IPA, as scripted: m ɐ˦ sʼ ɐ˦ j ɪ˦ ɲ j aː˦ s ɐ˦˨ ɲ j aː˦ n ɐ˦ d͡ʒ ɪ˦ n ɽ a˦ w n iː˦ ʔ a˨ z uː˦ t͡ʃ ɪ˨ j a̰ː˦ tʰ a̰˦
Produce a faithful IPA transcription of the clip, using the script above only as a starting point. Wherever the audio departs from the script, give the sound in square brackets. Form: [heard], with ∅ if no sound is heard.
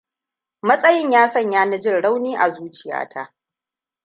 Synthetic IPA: m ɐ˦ sʼ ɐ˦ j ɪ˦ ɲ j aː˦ s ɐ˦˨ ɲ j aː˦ n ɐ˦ d͡ʒ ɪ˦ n ɽ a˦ w n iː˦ ʔ a˨ z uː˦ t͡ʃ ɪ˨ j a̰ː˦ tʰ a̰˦